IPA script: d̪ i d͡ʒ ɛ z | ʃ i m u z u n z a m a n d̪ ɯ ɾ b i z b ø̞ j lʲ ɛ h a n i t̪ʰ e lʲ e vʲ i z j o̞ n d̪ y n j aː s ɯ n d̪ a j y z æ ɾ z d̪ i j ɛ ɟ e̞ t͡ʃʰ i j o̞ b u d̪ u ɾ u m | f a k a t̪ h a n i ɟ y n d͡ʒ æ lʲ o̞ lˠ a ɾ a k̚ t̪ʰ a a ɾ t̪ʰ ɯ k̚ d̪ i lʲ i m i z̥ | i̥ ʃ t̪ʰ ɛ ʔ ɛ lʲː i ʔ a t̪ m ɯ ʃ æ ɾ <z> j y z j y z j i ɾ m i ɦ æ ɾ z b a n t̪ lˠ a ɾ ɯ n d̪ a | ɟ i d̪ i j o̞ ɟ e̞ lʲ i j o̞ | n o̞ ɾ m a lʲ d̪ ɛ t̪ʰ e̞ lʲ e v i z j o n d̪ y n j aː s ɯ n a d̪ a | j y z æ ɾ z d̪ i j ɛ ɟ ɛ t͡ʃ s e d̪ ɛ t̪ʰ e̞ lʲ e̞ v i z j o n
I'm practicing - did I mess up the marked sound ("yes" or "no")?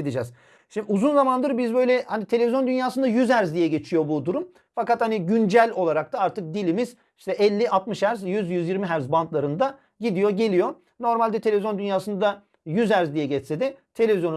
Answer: no